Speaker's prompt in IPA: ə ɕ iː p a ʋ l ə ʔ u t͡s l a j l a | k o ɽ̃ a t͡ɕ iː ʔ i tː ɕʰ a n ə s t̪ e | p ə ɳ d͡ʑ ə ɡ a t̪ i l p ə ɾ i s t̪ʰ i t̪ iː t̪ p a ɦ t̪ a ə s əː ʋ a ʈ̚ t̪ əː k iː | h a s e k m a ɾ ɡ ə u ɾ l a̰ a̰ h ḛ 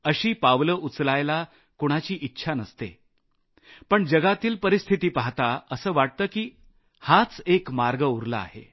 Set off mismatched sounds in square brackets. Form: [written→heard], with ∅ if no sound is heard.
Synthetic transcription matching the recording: ə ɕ iː p a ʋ l ə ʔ u t͡s l a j l a | k o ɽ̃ a t͡ɕ iː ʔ i tː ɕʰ a n ə s t̪ e | p ə ɳ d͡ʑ ə ɡ a t̪ [i→iː] l p ə ɾ i s t̪ʰ i t̪ iː [t̪→∅] p a ɦ t̪ a ə s əː ʋ a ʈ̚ t̪ əː k iː | h a [s→t͡s] e k m a ɾ ɡ ə u ɾ l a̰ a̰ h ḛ